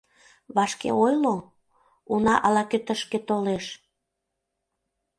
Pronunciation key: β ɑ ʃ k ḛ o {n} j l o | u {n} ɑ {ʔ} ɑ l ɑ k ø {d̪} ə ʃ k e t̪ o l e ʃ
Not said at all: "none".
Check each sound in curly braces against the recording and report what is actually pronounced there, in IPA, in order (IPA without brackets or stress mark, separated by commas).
none, n, ʔ, t̪